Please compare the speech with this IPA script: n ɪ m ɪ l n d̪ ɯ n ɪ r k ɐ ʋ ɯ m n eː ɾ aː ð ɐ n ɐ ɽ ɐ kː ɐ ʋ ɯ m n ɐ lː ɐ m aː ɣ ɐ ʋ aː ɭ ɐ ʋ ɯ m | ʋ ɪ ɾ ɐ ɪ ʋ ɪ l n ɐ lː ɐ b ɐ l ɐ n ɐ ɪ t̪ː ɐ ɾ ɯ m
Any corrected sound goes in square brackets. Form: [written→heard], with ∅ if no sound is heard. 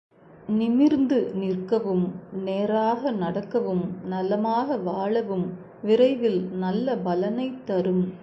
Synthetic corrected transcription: n ɪ m ɪ [l→ɾ] n d̪ ɯ n ɪ r k ɐ ʋ ɯ m n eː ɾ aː [ð→ɣ] ɐ n ɐ ɽ ɐ kː ɐ ʋ ɯ m n ɐ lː ɐ m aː ɣ ɐ ʋ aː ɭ ɐ ʋ ɯ m | ʋ ɪ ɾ ɐ ɪ ʋ ɪ l n ɐ lː ɐ b ɐ l ɐ n ɐ ɪ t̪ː ɐ ɾ ɯ m

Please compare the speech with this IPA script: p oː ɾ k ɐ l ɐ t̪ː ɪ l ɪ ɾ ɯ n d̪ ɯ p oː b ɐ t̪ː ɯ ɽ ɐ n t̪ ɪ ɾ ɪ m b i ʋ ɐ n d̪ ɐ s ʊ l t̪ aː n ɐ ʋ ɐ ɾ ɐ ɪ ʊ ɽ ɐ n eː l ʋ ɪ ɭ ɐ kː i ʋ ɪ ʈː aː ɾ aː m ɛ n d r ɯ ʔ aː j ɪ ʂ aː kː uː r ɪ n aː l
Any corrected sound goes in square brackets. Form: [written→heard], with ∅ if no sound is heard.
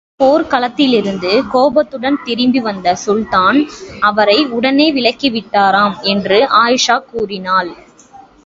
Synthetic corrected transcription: p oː ɾ k ɐ l ɐ t̪ː ɪ l ɪ ɾ ɯ n d̪ ɯ [p→k] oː b ɐ t̪ː ɯ ɽ ɐ n t̪ ɪ ɾ ɪ m b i ʋ ɐ n d̪ ɐ s ʊ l t̪ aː n ɐ ʋ ɐ ɾ ɐ ɪ ʊ ɽ ɐ n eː [l→∅] ʋ ɪ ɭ ɐ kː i ʋ ɪ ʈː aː ɾ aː m ɛ n d r ɯ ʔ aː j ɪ ʂ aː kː uː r ɪ n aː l

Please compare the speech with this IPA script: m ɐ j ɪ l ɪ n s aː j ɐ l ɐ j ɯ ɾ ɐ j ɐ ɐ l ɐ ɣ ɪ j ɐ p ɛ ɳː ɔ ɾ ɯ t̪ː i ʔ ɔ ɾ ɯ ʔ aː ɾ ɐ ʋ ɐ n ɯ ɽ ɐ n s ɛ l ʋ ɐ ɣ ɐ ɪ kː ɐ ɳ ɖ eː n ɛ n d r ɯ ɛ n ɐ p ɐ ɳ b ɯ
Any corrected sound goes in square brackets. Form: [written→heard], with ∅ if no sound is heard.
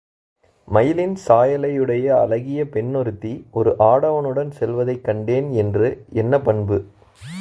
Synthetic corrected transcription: m ɐ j ɪ l ɪ n s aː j ɐ l ɐ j ɯ [ɾ→ɽ] ɐ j ɐ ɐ l ɐ ɣ ɪ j ɐ p ɛ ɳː ɔ ɾ ɯ t̪ː i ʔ ɔ ɾ ɯ ʔ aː [ɾ→ɽ] ɐ ʋ ɐ n ɯ ɽ ɐ n s ɛ l ʋ ɐ [ɣ→ð] ɐ ɪ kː ɐ ɳ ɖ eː n ɛ n d r ɯ ɛ [n→nː] ɐ p ɐ ɳ b ɯ

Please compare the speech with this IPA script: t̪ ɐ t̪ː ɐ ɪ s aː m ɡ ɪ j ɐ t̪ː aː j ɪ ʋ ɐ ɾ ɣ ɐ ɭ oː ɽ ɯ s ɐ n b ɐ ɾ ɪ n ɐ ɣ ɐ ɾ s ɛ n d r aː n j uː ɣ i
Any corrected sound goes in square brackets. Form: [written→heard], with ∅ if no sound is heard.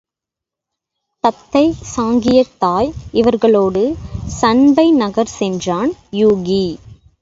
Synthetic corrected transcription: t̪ ɐ t̪ː ɐ ɪ s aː [m→ŋ] ɡ ɪ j ɐ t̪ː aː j ɪ ʋ ɐ ɾ ɣ ɐ ɭ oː ɽ ɯ s ɐ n b ɐ [ɾ→∅] ɪ n ɐ ɣ ɐ ɾ s ɛ n d r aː n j uː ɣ i

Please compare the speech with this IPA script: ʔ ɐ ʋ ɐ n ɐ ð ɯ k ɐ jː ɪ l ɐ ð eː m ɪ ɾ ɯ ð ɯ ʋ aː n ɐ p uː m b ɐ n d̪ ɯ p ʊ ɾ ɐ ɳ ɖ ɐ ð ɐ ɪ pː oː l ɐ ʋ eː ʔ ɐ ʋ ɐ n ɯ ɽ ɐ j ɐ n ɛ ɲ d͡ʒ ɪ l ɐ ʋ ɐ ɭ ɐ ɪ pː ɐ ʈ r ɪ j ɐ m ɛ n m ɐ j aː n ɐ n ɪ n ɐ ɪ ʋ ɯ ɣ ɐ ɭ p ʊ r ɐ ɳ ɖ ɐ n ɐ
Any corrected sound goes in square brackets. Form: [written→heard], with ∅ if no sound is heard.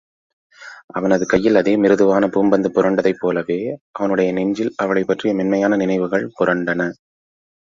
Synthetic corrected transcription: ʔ ɐ ʋ ɐ n ɐ ð ɯ k ɐ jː ɪ l ɐ ð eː m ɪ ɾ ɯ ð ɯ ʋ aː n ɐ p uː m b ɐ n d̪ ɯ p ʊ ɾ ɐ ɳ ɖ ɐ ð ɐ ɪ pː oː l ɐ ʋ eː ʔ ɐ ʋ ɐ n ɯ ɽ ɐ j ɐ n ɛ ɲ d͡ʒ ɪ l ɐ ʋ ɐ ɭ ɐ ɪ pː ɐ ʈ r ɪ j ɐ m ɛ n m ɐ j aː n ɐ n ɪ n ɐ ɪ ʋ ɯ ɣ ɐ ɭ p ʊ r ɐ ɳ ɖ ɐ n ɐ

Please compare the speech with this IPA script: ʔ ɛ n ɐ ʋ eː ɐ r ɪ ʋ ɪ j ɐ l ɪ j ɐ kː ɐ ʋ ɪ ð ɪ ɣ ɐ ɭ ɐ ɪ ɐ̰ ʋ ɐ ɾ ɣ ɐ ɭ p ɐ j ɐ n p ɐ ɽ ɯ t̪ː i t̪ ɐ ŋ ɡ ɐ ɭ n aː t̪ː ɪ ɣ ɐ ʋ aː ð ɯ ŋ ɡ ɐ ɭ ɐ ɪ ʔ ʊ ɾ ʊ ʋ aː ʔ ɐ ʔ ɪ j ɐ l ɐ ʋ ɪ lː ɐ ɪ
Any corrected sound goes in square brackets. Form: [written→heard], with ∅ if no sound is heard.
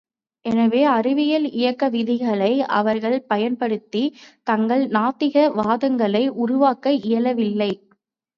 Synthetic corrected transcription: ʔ ɛ n ɐ ʋ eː ɐ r ɪ ʋ ɪ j ɐ l ɪ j ɐ kː ɐ ʋ ɪ ð ɪ ɣ ɐ ɭ ɐ ɪ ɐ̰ ʋ ɐ ɾ ɣ ɐ ɭ p ɐ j ɐ n p ɐ ɽ ɯ t̪ː i t̪ ɐ ŋ ɡ ɐ ɭ n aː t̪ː ɪ ɣ ɐ ʋ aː ð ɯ ŋ ɡ ɐ ɭ ɐ ɪ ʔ ʊ ɾ ʊ ʋ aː [ʔ→k] ɐ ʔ ɪ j ɐ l ɐ ʋ ɪ lː ɐ ɪ

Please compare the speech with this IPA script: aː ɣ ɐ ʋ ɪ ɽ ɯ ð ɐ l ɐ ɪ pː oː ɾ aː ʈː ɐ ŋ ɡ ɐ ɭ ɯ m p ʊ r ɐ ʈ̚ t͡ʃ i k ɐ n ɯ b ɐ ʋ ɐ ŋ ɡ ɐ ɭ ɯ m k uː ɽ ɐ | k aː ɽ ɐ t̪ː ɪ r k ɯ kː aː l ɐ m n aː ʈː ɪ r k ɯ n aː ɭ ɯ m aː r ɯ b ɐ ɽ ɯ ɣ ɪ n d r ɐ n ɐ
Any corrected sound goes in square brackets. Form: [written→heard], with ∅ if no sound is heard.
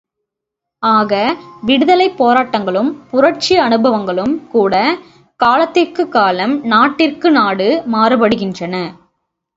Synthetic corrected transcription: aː ɣ ɐ ʋ ɪ ɽ ɯ ð ɐ l ɐ ɪ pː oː ɾ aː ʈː ɐ ŋ ɡ ɐ ɭ ɯ m p ʊ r ɐ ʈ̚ t͡ʃ i [k→∅] ɐ n ɯ b ɐ ʋ ɐ ŋ ɡ ɐ ɭ ɯ m k uː ɽ ɐ | k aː [ɽ→l] ɐ t̪ː ɪ r k ɯ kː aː l ɐ m n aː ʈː ɪ r k ɯ n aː [ɭ→ɽ] ɯ m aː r ɯ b ɐ ɽ ɯ ɣ ɪ n d r ɐ n ɐ

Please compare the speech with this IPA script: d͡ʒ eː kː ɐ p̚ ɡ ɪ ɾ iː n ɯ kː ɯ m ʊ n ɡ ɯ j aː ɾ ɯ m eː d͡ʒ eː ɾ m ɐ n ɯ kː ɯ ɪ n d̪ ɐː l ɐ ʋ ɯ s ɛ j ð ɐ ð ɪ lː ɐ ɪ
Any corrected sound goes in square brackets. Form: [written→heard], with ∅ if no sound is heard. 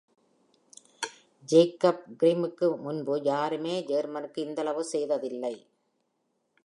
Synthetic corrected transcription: d͡ʒ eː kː ɐ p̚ ɡ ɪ ɾ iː [n→m] ɯ kː ɯ m ʊ n [ɡ→b] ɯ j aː ɾ ɯ m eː d͡ʒ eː ɾ m ɐ n ɯ kː ɯ ɪ n d̪ [ɐː→ɐ] l ɐ ʋ ɯ s ɛ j ð ɐ ð ɪ lː ɐ ɪ

